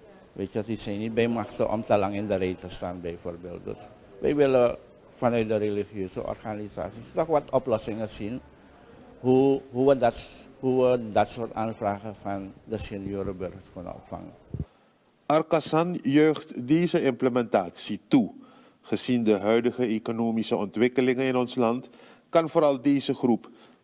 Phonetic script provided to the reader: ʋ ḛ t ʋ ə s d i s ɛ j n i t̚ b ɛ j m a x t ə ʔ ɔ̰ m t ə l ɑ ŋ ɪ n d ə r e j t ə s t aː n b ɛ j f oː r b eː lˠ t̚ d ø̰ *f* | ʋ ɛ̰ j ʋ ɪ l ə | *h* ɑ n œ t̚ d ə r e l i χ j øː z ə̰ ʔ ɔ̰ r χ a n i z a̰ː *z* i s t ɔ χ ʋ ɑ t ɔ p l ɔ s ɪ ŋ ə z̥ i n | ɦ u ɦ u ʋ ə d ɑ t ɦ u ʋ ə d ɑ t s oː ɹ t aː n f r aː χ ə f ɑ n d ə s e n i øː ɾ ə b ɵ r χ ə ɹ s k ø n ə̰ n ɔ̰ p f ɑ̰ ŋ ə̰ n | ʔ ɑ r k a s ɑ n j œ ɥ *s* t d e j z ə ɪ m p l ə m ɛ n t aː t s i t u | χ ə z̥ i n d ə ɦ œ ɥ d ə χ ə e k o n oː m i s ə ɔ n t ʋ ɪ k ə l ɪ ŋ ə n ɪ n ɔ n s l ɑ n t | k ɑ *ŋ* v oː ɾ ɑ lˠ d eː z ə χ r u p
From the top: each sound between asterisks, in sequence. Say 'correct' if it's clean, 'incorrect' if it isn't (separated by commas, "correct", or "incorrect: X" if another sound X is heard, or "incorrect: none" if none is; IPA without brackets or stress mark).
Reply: incorrect: s, incorrect: f, incorrect: s, incorrect: χ, incorrect: n